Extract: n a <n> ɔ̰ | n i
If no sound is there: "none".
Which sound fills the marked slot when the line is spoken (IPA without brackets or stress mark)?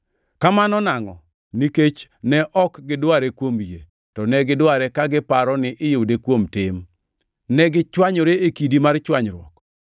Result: ŋ